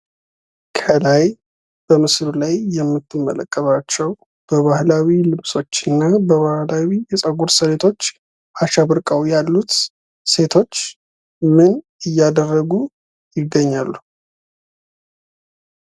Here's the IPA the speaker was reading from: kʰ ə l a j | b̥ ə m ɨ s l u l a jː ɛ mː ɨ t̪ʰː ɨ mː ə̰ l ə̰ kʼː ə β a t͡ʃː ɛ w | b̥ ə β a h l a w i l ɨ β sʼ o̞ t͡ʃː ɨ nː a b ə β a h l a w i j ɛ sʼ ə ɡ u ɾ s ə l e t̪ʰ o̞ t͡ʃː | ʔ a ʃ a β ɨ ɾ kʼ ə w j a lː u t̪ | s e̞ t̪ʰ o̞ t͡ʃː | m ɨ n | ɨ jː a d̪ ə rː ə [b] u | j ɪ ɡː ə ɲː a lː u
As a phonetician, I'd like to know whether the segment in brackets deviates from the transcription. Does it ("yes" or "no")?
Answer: yes